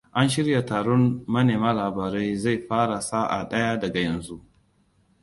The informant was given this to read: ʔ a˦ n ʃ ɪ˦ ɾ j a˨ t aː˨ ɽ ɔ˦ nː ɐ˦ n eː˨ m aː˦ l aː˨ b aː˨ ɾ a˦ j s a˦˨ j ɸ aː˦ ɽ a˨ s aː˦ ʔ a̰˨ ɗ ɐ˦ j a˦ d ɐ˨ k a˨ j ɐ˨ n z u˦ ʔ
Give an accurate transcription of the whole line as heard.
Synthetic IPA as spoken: ʔ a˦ n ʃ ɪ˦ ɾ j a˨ t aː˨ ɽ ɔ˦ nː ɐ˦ n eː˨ m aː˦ l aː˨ b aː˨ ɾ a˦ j z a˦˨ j ɸ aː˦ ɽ a˨ s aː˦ ʔ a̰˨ ɗ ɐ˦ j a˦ d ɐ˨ ɡ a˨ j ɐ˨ n z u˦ ʔ